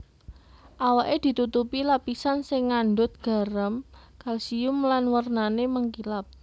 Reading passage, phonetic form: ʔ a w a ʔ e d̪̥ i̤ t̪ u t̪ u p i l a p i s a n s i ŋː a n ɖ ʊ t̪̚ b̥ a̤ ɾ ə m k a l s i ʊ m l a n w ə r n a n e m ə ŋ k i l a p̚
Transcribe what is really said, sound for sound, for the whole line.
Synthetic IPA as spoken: ʔ a w a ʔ e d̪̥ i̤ t̪ u t̪ u p i l a p i s a n s ɪ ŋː a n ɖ ʊ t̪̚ ɡ̥ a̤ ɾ ə m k a l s i ʊ m l a n w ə r n a n e m ə ŋ k i l a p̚